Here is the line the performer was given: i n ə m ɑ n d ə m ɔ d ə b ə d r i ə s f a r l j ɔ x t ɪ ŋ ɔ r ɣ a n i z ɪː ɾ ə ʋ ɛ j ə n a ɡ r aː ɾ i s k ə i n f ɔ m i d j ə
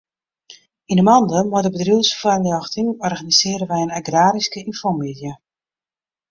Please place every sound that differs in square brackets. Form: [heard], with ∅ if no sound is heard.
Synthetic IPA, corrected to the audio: i n ə m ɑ n d ə m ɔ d ə b ə d r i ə s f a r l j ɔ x t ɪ ŋ ɔ r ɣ a n i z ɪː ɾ ə ʋ ɛ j ə n a ɡ r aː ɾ i s k ə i n f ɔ m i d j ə